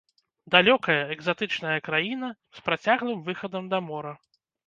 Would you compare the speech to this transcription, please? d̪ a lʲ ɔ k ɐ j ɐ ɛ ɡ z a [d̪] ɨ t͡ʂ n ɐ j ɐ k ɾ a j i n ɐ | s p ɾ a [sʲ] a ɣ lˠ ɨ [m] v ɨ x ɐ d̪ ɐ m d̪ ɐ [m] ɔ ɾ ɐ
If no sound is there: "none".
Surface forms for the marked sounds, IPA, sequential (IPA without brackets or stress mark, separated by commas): t̪, t͡sʲ, m, m